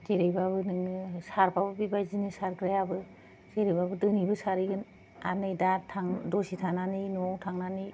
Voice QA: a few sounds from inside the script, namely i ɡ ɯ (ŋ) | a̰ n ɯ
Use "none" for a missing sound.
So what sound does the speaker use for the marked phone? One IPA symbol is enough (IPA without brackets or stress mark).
n